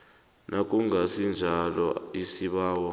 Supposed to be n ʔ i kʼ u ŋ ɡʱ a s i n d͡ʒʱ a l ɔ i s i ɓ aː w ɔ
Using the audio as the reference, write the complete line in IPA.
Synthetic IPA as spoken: n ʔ a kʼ u ŋ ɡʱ a s i n d͡ʒʱ a l ɔ i s i ɓ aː w ɔ